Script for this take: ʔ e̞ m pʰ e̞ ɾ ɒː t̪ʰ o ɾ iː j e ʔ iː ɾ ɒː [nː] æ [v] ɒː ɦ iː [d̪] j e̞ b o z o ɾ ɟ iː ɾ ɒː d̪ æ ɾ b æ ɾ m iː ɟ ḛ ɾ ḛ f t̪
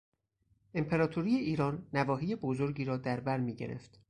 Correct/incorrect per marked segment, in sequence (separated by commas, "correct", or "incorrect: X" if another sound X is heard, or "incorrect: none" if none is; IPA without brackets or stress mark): correct, correct, incorrect: none